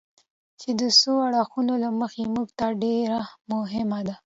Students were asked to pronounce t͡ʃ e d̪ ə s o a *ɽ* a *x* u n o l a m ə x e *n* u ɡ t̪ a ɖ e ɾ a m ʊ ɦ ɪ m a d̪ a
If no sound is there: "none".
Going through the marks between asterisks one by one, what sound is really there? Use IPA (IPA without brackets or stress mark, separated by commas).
ɽ, x, m